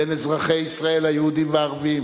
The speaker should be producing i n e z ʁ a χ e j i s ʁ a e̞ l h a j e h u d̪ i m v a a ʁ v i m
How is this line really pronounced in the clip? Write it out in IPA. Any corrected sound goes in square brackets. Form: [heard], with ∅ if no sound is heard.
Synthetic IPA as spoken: [e] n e z ʁ a χ e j i s ʁ a e̞ l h a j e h u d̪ i m v [e] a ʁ v i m